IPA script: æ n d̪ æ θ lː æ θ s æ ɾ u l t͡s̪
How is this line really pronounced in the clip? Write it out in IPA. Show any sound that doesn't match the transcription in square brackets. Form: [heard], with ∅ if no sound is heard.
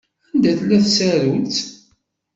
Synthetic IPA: æ n d̪ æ θ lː æ θ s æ ɾ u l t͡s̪